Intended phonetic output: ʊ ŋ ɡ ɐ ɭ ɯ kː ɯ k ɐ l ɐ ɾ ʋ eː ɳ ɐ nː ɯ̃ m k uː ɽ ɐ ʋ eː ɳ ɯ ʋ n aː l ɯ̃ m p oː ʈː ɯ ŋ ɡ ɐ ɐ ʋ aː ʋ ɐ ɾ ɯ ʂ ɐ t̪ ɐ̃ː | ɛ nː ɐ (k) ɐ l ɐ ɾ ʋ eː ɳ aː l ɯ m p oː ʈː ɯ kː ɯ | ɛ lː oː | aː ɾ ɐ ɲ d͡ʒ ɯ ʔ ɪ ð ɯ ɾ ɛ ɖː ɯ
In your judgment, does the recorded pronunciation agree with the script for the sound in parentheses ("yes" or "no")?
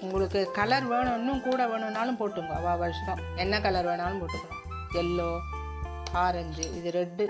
yes